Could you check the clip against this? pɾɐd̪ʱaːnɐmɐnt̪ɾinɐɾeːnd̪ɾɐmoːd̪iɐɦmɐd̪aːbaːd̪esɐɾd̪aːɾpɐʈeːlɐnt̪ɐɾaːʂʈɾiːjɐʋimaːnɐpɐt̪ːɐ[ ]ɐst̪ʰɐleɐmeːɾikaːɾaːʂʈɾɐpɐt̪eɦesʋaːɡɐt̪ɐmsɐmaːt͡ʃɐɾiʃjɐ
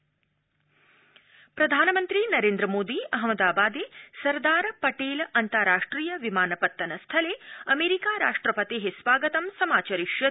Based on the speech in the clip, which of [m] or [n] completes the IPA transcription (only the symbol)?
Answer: n